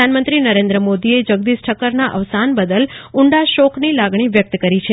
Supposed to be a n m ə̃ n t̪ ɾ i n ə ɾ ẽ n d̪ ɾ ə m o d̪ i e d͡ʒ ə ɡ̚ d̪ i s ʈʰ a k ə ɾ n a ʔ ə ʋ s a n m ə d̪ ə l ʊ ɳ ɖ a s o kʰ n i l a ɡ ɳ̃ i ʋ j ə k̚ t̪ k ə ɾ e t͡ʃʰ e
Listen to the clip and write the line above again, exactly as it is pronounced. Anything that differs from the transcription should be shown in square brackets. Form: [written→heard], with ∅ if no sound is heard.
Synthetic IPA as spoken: a n m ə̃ n t̪ ɾ i n ə ɾ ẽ n d̪ ɾ ə m o d̪ i e d͡ʒ ə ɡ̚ d̪ i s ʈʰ [a→ə] k ə ɾ n a ʔ ə ʋ s a n [m→b] ə d̪ ə l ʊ ɳ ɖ a [s→ʃ] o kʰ n i l a ɡ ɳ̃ i ʋ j ə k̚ t̪ k ə ɾ [e→i] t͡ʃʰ e